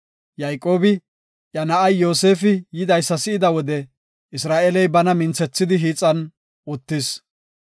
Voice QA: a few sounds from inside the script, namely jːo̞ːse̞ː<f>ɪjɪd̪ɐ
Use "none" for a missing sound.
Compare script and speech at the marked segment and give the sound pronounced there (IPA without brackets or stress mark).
f